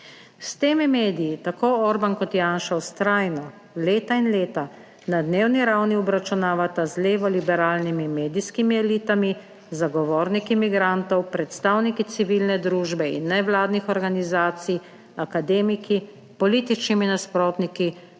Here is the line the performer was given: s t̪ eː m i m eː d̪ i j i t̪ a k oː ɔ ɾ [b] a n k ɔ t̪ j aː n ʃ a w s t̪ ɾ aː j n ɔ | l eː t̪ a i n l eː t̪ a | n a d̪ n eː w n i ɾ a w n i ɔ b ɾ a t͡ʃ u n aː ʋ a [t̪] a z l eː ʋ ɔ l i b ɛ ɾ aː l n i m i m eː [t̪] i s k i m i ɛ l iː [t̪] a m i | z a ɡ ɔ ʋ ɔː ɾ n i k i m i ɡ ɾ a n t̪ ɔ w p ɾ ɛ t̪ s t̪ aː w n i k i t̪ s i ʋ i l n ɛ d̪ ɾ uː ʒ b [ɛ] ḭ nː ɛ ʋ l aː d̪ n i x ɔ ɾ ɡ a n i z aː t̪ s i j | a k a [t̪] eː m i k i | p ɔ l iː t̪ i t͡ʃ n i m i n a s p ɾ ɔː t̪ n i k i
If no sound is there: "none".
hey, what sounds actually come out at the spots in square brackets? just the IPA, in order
b, t̪, d̪, t̪, ɛ, d̪

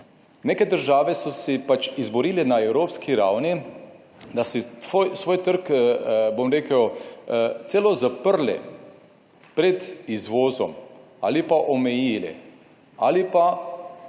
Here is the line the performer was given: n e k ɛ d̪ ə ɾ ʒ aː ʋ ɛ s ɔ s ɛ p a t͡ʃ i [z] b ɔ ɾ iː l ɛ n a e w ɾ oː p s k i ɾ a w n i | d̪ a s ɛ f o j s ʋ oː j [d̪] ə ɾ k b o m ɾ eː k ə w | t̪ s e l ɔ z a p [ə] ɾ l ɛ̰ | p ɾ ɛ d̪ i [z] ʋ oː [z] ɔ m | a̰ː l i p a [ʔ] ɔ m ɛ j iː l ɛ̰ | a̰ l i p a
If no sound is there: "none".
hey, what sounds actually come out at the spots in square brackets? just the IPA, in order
z, t̪, ə, z, z, ʔ

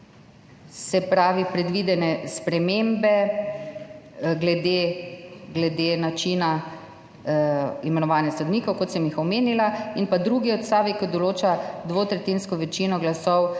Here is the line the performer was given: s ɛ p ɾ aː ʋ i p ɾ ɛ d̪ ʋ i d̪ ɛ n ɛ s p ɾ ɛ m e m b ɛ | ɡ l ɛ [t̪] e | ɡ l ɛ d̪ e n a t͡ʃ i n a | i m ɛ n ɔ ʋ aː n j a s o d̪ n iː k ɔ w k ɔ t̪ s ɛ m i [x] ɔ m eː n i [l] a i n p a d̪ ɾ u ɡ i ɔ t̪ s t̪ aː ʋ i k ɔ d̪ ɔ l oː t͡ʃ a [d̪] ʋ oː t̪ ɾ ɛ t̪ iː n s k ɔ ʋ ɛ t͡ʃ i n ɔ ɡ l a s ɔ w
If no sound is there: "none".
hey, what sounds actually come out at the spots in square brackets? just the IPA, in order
d̪, x, l, d̪

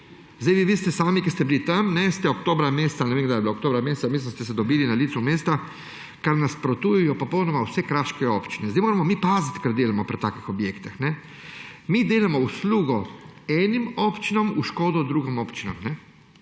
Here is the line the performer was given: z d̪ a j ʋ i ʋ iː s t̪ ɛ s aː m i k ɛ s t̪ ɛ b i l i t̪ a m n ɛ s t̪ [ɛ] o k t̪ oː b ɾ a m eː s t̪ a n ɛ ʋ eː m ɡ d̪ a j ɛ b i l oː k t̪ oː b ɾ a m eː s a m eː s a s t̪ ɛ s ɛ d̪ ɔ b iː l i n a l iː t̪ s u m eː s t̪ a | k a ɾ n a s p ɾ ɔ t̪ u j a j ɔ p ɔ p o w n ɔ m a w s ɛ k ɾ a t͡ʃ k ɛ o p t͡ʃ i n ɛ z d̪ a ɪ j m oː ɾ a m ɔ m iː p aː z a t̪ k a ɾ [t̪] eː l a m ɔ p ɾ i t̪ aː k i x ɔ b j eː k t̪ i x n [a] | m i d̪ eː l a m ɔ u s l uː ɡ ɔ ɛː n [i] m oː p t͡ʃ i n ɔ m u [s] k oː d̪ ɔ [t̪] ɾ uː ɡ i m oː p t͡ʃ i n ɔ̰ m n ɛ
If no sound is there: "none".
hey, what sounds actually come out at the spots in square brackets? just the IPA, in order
ɛ, d̪, ɛ, i, ʃ, d̪

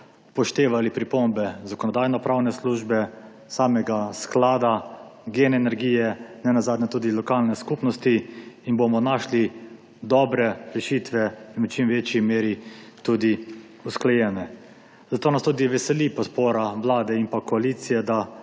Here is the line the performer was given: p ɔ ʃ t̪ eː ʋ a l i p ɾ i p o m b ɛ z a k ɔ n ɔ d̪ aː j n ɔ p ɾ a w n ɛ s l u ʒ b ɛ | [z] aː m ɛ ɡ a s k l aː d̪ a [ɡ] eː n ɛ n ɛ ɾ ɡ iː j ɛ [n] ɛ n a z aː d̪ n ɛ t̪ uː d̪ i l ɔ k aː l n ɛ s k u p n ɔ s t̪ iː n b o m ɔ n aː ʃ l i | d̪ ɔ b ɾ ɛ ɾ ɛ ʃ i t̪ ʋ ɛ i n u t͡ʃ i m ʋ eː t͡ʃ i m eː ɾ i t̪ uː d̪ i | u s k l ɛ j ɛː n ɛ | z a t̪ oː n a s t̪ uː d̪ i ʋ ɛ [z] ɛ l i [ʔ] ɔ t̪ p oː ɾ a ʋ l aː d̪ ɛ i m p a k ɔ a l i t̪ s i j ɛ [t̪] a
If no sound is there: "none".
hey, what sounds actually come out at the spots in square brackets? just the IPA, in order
s, ɡ, n, s, p, d̪

